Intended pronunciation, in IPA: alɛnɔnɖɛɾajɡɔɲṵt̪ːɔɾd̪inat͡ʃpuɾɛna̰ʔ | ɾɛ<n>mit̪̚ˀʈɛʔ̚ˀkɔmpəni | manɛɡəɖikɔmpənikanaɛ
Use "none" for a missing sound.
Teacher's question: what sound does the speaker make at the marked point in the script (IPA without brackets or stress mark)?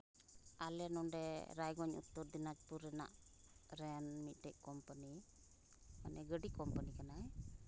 n